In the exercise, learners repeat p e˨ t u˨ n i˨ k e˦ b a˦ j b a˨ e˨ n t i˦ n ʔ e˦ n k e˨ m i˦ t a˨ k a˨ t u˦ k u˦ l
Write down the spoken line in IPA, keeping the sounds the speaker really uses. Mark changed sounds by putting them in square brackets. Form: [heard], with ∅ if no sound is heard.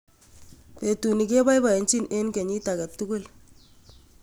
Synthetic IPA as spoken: p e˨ t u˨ n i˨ k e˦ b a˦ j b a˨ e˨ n [t͡ʃ] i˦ n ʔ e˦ n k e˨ [ɲ] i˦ t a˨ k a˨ t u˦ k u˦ l